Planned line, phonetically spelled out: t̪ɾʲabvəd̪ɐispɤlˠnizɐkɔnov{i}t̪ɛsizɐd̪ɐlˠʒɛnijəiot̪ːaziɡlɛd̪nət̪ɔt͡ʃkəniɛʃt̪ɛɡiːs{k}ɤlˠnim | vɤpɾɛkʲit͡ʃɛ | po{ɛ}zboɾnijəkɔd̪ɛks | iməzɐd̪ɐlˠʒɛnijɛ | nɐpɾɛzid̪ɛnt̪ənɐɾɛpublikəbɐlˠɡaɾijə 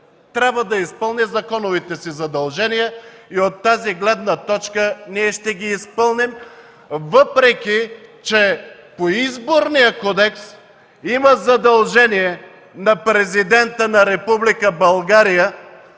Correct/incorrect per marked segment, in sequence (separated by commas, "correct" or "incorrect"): correct, incorrect, incorrect